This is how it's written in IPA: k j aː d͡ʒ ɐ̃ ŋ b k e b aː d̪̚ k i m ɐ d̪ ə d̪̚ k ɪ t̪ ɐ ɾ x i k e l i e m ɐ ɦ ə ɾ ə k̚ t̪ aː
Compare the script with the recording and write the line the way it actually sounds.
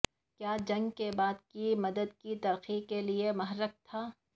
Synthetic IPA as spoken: k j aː d͡ʒ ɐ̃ ŋ ɡ k e b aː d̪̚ k i m ɐ d̪ ə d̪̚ k i t̪ ɐ ɾ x i k e l i e m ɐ ɦ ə ɾ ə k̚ t̪ʰ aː